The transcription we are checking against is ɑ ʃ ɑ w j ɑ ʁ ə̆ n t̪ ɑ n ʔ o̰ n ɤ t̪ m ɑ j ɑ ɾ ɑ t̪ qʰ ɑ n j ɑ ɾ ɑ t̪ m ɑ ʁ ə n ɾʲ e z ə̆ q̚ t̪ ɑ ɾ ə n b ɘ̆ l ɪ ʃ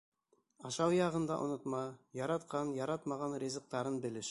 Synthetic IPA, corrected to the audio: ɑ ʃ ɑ w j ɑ ʁ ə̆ n d̪ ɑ ʔ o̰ n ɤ t̪ m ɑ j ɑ ɾ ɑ t̪ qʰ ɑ n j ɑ ɾ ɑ t̪ m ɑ ʁ ɑ n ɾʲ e z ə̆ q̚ t̪ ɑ ɾ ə n b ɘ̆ l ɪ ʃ